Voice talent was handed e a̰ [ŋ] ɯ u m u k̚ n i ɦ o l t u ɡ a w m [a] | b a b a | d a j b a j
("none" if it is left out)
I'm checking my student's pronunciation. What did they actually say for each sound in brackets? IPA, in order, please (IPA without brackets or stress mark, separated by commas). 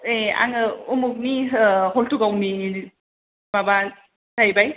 ŋ, i